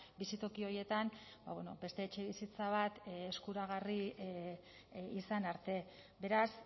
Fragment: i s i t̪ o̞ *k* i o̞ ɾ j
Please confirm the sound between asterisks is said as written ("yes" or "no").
yes